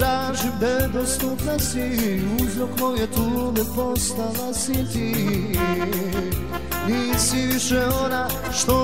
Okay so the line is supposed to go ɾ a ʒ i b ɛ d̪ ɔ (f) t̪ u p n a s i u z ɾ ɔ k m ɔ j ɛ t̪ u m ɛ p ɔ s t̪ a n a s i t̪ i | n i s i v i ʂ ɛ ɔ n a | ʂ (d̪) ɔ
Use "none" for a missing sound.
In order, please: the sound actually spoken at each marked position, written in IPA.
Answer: s, t̪

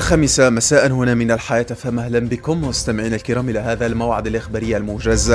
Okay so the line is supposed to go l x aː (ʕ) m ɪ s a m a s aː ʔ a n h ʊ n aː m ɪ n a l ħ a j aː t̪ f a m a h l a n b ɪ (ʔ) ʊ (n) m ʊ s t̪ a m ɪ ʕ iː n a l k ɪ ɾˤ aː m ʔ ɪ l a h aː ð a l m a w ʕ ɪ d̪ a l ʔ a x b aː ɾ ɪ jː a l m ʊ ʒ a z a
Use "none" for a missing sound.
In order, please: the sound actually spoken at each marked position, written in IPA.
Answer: none, k, m

